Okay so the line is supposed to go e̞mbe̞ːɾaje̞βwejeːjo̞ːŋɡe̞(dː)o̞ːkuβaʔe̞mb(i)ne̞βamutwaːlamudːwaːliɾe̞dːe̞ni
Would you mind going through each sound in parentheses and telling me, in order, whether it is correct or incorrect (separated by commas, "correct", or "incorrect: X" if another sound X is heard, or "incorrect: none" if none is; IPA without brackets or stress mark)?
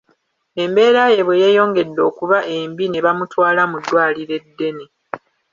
correct, correct